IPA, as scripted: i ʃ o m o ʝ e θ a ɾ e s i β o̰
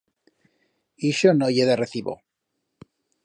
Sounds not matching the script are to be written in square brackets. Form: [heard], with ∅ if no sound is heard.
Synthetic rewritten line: i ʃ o [n] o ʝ e [ð] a [r] e [θ] i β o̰

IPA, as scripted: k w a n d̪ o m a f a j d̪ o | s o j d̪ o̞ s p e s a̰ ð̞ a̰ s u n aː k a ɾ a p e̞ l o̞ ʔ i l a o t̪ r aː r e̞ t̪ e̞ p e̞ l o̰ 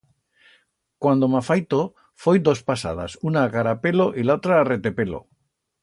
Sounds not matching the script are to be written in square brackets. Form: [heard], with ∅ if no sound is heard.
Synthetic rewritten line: k w a n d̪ o m a f a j [t̪] o | [f] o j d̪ o̞ s p [a] s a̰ ð̞ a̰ s u n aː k a ɾ a p e̞ l o̞ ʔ i l a o t̪ [ɾ] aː r e̞ t̪ e̞ p e̞ l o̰

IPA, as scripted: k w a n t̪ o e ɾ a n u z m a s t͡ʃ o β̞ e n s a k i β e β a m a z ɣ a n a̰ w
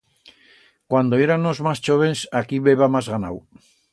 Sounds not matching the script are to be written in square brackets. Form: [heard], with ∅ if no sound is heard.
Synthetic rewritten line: k w a n [d̪] o e ɾ a n [o] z m a s t͡ʃ o β̞ e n s a k i β e β a m a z ɣ a n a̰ w

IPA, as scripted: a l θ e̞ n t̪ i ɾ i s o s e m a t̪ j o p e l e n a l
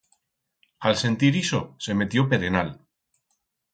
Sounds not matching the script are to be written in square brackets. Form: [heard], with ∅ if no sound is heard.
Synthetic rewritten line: a l [s] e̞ n t̪ i ɾ i s o s e m [e] t̪ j o p e [ɾ] e n a l

